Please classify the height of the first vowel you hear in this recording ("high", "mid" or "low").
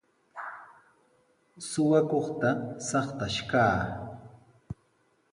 high